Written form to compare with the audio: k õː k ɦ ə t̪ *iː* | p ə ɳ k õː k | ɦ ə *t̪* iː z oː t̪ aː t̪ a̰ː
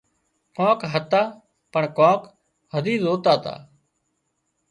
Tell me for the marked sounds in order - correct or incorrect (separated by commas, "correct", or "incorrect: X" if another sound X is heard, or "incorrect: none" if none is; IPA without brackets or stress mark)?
incorrect: aː, incorrect: d̪